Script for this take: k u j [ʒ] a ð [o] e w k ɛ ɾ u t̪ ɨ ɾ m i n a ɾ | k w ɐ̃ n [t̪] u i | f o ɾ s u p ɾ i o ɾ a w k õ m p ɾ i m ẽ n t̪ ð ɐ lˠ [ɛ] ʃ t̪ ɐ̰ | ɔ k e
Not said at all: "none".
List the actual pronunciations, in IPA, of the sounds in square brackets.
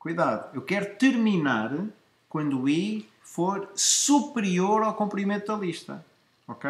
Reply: ð, u, d̪, i

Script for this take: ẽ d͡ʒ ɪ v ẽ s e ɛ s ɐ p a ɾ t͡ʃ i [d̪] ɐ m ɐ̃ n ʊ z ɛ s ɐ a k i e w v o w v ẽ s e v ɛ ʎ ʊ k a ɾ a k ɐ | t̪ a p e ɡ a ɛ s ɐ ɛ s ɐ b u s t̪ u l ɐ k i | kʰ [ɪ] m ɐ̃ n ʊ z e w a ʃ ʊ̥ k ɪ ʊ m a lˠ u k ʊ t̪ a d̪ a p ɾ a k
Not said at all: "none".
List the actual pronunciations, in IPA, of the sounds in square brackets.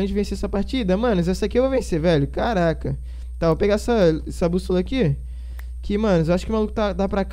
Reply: d̪, ɪ

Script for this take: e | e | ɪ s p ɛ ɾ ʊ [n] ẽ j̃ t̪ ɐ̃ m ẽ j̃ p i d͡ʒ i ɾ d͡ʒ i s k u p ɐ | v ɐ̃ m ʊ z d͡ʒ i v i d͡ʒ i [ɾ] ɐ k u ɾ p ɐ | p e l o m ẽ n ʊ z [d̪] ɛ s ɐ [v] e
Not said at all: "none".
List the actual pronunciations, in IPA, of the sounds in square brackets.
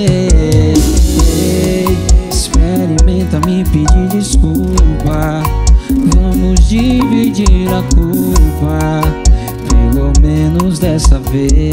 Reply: m, ɾ, d̪, v

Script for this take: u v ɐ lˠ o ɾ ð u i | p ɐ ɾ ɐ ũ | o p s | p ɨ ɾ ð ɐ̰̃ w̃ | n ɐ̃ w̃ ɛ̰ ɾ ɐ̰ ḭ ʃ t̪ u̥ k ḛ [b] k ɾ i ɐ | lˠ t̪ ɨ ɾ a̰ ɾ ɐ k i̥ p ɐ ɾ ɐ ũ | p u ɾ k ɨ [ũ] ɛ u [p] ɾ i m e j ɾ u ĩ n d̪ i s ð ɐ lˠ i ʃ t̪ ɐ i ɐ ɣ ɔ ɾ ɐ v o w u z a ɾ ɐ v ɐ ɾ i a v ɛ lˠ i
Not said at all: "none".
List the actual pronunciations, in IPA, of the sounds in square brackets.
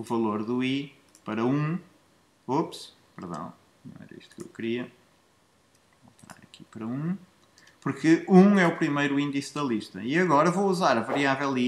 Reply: w, ũ, p

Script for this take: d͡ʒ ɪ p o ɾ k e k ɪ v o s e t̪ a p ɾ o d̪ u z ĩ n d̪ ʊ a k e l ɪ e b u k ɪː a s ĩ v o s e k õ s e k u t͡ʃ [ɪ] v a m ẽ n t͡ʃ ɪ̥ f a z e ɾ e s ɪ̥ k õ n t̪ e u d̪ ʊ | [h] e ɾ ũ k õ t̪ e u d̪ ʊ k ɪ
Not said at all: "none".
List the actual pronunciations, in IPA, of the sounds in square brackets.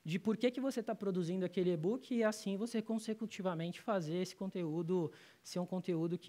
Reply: i, s

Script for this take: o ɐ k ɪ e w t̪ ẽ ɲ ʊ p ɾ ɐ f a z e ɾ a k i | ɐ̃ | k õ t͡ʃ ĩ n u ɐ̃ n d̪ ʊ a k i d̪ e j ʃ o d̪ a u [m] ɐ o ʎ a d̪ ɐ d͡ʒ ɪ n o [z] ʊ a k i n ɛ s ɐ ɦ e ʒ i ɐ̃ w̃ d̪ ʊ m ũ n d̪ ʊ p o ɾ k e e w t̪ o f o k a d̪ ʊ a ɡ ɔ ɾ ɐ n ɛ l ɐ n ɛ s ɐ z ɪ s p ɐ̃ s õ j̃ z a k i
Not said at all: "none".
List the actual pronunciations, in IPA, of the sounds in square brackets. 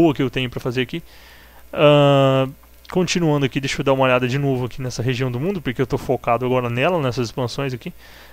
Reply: m, v

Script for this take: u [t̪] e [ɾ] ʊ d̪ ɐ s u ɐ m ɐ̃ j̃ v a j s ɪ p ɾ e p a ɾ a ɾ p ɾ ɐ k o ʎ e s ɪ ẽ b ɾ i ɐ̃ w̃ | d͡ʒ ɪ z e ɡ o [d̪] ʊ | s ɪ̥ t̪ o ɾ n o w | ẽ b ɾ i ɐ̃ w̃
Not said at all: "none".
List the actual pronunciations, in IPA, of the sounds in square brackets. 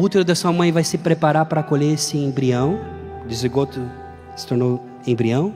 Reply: t̪, ɾ, t̪

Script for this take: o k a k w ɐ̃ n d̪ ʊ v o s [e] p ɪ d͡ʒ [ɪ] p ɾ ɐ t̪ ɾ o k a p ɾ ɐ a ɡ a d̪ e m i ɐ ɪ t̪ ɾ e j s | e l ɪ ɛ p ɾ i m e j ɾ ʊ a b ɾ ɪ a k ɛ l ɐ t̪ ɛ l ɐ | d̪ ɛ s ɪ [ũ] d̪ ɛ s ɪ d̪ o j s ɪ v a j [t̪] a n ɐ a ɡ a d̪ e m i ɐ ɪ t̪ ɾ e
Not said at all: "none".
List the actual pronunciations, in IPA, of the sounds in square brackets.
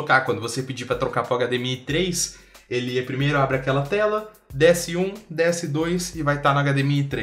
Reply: e, i, ũ, t̪

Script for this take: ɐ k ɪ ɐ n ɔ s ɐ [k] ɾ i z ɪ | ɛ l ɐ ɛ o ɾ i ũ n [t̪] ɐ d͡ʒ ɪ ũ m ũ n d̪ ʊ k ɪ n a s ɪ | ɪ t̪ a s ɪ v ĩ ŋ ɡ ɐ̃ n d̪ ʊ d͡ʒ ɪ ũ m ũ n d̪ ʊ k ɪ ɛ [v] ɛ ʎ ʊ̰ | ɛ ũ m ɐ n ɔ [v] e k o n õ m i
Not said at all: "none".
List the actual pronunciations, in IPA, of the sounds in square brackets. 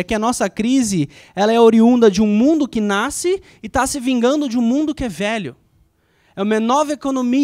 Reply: k, d̪, v, v

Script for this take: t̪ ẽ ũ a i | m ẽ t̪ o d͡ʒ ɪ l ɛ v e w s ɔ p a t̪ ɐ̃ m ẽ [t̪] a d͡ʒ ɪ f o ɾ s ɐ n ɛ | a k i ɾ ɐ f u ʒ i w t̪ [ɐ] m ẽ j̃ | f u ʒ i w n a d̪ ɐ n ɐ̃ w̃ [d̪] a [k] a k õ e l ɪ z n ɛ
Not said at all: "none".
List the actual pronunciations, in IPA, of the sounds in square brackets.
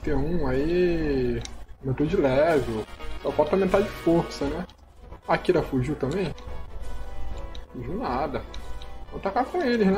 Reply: t̪, ɐ̃, t̪, k

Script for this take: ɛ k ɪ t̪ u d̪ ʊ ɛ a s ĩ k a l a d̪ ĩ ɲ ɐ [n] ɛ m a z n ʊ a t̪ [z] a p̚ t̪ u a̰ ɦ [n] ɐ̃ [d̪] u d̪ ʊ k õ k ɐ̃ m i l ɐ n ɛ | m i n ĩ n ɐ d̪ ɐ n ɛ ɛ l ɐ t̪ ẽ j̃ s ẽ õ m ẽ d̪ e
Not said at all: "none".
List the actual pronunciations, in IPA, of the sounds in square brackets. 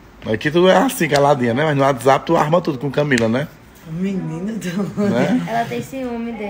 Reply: n, z, m, t̪

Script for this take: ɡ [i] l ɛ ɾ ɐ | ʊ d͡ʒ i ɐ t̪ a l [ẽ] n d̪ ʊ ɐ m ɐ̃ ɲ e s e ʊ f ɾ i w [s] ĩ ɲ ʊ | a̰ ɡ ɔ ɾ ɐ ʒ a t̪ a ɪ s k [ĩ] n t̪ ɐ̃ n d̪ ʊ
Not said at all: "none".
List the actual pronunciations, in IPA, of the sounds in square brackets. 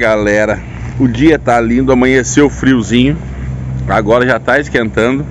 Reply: a, ĩ, z, ẽ

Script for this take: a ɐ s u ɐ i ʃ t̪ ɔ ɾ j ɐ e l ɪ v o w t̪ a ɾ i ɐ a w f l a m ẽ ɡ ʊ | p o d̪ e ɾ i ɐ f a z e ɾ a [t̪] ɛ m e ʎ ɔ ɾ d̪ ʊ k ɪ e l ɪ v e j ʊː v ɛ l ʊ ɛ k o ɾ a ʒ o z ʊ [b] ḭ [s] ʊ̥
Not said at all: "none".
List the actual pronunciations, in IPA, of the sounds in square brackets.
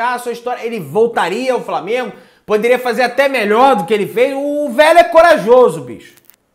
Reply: t̪, b, ʃ

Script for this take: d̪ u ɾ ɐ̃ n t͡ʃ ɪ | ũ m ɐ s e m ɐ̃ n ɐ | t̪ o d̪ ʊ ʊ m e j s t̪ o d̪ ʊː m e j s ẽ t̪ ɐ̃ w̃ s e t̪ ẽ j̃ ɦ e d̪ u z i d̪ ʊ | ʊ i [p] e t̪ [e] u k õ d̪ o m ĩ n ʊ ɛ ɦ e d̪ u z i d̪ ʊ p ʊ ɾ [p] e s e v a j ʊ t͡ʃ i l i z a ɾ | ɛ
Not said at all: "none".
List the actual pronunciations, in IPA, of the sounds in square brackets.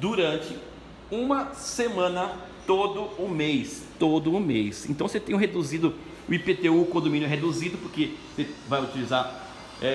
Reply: p, e, k

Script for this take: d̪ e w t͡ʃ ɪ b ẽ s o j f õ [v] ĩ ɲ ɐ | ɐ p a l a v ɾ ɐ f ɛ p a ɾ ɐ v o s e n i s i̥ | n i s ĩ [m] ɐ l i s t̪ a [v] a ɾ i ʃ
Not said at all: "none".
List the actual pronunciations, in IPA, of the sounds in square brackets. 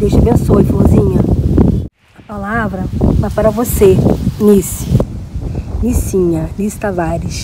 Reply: z, ɲ, v

